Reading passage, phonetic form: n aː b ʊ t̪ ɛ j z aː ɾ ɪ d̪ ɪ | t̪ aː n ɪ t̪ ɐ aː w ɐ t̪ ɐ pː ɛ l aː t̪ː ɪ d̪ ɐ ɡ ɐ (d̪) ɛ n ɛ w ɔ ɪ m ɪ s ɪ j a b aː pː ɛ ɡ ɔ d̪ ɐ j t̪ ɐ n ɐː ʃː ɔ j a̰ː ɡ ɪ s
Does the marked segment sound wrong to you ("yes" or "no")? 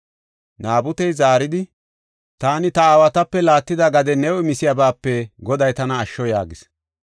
no